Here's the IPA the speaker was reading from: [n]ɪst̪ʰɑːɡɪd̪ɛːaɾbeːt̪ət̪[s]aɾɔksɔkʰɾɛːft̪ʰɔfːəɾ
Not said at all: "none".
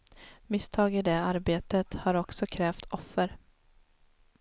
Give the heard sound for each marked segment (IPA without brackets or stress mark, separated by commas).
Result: m, h